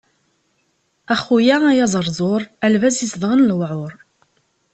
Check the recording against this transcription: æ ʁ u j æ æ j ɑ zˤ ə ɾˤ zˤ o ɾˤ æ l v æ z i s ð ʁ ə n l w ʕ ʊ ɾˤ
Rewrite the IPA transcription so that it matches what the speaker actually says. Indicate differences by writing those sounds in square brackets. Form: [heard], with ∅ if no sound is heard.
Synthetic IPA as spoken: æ [χ] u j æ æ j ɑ zˤ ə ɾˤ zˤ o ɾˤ æ l v æ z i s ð ʁ ə n l w ʕ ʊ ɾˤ